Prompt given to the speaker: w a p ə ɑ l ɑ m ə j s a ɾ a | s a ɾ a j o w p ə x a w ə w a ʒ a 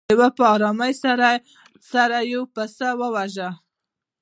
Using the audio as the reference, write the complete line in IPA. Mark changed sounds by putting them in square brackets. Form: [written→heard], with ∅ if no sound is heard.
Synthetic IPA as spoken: w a p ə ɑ [l→ɾ] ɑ m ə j s a ɾ a | s a ɾ a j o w p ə [x→s] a w ə w a ʒ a